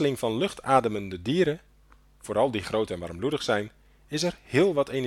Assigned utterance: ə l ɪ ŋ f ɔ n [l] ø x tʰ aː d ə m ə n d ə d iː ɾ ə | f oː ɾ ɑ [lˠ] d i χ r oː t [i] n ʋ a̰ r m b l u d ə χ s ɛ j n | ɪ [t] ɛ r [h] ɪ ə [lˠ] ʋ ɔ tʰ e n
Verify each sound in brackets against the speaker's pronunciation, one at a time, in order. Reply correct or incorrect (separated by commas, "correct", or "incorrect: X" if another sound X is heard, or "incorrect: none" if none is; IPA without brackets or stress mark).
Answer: correct, correct, incorrect: ɛ, incorrect: s, correct, correct